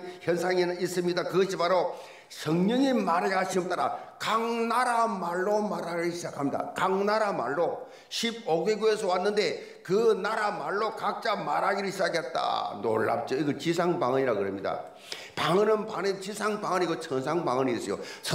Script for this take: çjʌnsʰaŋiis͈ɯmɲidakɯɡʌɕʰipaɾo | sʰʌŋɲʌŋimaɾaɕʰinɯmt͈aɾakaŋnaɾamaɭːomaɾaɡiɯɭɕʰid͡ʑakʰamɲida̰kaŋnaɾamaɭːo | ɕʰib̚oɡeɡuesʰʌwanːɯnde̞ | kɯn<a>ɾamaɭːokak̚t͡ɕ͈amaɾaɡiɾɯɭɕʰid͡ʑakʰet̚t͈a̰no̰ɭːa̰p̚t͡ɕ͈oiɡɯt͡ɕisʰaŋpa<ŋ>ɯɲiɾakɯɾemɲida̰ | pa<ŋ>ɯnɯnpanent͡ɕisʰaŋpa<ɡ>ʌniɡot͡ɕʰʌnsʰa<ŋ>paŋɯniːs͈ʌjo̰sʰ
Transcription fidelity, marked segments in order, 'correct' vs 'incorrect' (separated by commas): correct, correct, correct, incorrect, correct